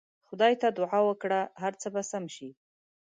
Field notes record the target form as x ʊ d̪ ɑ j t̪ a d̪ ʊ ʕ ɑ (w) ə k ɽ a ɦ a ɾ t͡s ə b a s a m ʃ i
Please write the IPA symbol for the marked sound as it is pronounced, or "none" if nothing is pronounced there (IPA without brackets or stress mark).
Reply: w